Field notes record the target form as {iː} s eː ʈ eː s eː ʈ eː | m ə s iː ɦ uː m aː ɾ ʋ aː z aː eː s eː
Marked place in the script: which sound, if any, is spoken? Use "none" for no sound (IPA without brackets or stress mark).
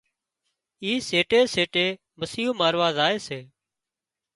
iː